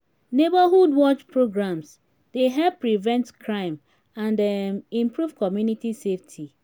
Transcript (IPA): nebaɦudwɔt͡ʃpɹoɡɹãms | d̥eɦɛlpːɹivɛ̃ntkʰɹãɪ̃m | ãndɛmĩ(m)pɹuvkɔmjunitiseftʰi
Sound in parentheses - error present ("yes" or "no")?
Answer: no